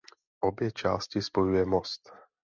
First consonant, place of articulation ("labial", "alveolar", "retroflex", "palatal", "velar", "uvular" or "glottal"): glottal